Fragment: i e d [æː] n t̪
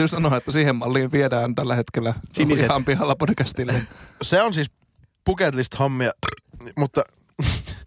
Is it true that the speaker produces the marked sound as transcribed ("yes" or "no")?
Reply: yes